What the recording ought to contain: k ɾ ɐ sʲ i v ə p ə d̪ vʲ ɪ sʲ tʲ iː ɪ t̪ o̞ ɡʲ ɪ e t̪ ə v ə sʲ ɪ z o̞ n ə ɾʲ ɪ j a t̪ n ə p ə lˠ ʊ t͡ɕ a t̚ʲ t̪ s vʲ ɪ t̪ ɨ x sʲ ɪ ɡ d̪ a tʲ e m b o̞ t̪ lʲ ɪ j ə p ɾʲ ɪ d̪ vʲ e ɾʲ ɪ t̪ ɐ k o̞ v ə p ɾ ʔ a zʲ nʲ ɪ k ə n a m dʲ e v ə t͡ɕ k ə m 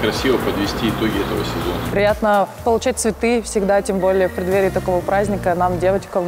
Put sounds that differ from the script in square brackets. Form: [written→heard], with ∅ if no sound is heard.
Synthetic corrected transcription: k ɾ ɐ sʲ i v ə p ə d̪ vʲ ɪ sʲ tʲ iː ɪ t̪ o̞ ɡʲ ɪ [e→ɛ] t̪ ə v ə sʲ ɪ z o̞ n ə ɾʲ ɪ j a t̪ n ə p ə lˠ ʊ t͡ɕ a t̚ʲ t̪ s vʲ ɪ t̪ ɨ [x→f] sʲ ɪ ɡ d̪ a tʲ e m b o̞ [t̪→∅] lʲ ɪ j ə p ɾʲ ɪ d̪ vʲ e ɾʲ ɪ t̪ ɐ k o̞ v ə p ɾ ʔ a zʲ nʲ ɪ k ə n a m dʲ e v ə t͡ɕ k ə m